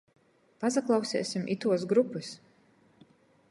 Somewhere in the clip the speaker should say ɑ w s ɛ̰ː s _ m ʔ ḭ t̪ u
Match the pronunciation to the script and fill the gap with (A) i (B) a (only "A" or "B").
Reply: A